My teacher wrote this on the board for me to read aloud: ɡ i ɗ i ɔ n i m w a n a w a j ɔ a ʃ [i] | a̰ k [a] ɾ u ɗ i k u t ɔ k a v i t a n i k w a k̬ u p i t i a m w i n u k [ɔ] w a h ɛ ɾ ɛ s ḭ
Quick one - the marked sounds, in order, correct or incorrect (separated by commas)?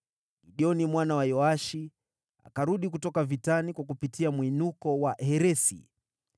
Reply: correct, correct, correct